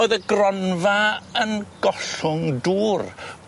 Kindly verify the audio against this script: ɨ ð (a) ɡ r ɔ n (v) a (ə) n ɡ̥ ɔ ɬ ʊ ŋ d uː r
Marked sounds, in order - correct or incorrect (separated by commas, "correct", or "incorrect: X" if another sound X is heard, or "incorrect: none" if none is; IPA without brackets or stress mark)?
incorrect: ə, correct, correct